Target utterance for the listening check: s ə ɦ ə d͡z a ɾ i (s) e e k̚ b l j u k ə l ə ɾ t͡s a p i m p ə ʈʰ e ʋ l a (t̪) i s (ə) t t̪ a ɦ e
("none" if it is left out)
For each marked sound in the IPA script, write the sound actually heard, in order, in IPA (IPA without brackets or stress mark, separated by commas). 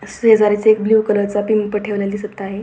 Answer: t͡s, d̪, ə